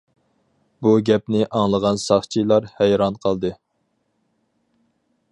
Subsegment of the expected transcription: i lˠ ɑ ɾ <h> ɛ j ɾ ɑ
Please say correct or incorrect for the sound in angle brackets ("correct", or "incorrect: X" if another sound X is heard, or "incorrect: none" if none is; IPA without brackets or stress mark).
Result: correct